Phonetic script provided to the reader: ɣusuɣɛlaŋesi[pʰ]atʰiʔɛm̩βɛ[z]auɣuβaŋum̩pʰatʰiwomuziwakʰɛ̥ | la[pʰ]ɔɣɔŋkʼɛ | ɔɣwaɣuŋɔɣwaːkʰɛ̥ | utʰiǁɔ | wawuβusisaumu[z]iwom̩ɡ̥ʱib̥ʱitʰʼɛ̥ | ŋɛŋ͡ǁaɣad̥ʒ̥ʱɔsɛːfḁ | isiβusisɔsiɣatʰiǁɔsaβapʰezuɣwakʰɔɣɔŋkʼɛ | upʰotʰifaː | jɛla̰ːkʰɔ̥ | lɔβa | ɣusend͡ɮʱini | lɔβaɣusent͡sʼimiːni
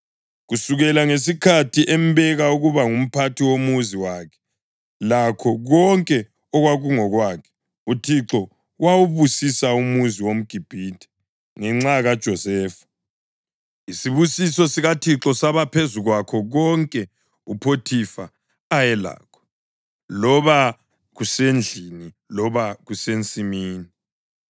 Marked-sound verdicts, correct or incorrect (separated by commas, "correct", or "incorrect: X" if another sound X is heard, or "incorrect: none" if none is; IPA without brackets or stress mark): incorrect: kʰ, incorrect: ɣ, incorrect: kʰ, correct